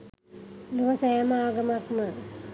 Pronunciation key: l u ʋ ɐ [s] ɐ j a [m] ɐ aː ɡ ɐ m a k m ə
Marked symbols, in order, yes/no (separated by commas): yes, yes